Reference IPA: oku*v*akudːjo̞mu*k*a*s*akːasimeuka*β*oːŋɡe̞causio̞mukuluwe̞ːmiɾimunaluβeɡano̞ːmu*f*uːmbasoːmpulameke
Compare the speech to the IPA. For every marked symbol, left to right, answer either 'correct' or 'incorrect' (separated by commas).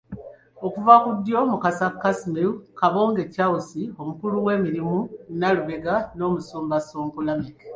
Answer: correct, correct, correct, correct, incorrect